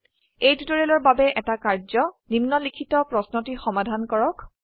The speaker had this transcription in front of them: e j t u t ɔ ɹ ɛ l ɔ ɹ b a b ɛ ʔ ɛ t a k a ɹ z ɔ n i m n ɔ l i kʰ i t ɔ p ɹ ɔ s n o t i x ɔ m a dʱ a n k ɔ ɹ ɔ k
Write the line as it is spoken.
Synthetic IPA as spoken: e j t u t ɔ ɹ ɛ l ɔ ɹ b a b ɛ ʔ ɛ t a k a ɹ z ɔ n i m n ɔ l i kʰ i t ɔ p ɹ ɔ s n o t i x ɔ m a dʱ a n k ɔ ɹ ɔ k